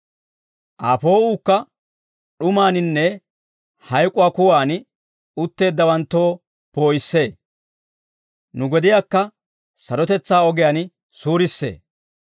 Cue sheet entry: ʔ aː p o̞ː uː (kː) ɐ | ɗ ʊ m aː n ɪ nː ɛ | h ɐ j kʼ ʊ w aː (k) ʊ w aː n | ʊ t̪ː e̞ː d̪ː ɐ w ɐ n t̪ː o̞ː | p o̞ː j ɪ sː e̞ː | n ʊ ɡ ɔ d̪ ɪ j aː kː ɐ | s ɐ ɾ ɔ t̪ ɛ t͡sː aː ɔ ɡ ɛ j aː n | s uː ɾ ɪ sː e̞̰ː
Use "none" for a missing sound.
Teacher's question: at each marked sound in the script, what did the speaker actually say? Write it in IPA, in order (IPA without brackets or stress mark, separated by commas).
kː, k